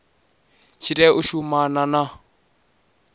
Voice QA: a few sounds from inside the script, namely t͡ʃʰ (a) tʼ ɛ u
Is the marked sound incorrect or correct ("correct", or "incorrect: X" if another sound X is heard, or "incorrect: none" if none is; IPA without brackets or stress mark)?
incorrect: i